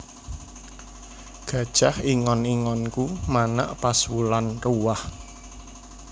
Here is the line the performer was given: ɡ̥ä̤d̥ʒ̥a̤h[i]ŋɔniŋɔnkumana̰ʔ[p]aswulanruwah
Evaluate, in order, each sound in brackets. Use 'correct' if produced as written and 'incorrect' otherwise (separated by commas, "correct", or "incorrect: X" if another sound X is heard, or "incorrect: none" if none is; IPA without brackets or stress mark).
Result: correct, correct